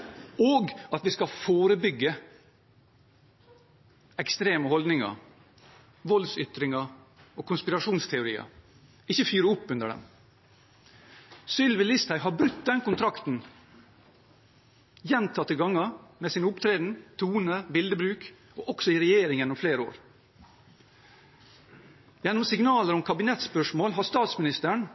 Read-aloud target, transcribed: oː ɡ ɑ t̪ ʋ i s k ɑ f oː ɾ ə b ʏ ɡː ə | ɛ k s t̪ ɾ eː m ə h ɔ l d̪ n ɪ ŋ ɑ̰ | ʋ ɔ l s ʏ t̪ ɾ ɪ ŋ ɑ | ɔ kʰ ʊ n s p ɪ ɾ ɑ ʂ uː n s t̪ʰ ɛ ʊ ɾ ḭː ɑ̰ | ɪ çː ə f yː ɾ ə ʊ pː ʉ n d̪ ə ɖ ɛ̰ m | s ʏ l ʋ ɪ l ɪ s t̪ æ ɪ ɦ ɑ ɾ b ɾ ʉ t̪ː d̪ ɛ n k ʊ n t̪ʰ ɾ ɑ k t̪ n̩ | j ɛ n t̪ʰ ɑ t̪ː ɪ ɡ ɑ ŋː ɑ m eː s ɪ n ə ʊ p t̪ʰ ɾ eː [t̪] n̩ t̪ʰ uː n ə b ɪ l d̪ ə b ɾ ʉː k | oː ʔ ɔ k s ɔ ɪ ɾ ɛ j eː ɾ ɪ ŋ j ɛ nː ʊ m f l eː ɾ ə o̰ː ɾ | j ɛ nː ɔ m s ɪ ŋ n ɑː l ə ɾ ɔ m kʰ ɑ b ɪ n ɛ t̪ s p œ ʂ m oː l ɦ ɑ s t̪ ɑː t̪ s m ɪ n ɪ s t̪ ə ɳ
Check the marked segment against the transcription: incorrect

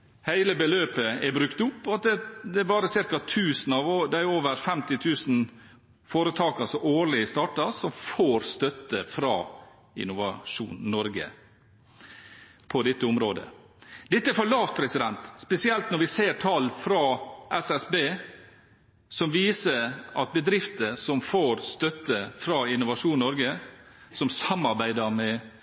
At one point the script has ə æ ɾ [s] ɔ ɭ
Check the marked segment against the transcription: incorrect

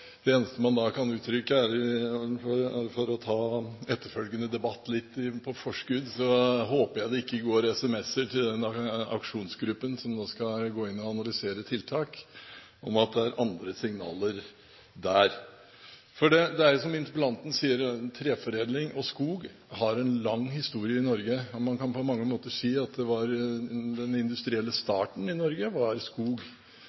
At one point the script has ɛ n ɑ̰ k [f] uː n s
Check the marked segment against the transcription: incorrect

